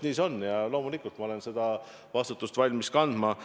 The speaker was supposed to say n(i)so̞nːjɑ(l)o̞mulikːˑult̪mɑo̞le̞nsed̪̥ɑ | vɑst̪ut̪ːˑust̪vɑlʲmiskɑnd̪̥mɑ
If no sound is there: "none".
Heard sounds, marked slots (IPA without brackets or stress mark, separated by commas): iː, l